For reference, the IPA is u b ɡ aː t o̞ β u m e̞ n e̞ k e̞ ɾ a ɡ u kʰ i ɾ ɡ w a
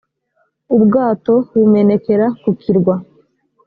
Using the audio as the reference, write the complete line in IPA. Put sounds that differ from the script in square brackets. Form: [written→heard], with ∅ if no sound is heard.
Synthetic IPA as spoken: u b ɡ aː t o̞ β u m e̞ n e̞ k e̞ ɾ a [ɡ→k] u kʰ i ɾ ɡ w a